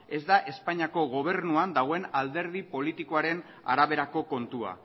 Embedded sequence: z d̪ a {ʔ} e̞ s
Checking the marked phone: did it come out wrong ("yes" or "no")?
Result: no